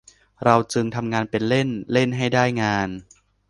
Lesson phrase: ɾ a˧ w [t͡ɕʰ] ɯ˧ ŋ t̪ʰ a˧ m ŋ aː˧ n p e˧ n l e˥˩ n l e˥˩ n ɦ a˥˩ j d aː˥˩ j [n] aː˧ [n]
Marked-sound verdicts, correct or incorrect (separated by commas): incorrect, incorrect, correct